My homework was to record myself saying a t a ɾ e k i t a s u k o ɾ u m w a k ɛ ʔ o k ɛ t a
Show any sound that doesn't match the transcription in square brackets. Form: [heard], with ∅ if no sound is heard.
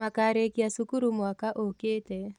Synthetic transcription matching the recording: a [k] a ɾ e k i [∅] a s u k [u] ɾ u m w a k [a] ʔ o k [e] t [ɛ]